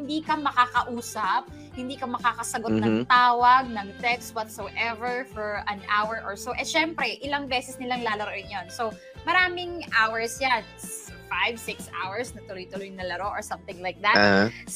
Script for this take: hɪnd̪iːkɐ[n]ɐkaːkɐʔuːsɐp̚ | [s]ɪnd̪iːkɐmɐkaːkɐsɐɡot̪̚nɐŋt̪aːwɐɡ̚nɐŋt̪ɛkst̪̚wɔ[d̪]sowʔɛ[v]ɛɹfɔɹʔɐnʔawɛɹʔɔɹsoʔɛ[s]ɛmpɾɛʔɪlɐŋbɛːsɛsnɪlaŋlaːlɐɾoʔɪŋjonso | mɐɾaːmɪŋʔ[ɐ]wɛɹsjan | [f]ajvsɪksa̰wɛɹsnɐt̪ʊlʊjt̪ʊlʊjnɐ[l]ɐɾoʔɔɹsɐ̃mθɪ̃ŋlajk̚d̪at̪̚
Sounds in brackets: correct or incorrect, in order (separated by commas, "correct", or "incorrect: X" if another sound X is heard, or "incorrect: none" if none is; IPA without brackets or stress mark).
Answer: incorrect: m, incorrect: h, incorrect: t̪, correct, incorrect: ʃ, incorrect: a, correct, correct